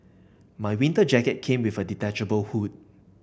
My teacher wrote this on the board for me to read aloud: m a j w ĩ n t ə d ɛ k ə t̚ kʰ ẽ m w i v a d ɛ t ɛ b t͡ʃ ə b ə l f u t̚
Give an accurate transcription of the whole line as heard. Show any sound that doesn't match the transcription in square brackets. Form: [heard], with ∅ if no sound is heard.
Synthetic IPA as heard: m a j w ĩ n t ə [d͡ʒ] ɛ k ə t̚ kʰ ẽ m w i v [ə] d [i] t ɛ [∅] t͡ʃ ə b ə l [h] u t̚